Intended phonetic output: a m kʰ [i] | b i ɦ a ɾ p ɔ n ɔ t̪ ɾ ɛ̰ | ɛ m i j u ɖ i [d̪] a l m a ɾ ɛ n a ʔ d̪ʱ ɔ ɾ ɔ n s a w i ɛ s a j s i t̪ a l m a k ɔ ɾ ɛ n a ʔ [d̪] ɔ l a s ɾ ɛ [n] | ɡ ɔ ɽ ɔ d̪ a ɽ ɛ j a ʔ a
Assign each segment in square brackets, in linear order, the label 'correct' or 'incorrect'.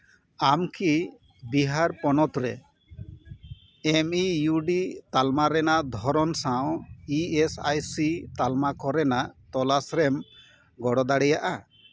correct, incorrect: t̪, incorrect: t̪, incorrect: m

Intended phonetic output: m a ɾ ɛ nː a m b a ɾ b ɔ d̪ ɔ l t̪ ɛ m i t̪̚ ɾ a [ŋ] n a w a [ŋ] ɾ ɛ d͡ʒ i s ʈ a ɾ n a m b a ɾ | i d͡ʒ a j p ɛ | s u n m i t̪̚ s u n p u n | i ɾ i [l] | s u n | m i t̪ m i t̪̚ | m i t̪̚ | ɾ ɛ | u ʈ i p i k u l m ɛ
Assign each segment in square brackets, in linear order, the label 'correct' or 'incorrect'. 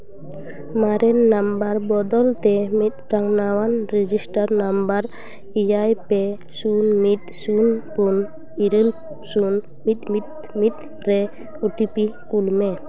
correct, incorrect: n, correct

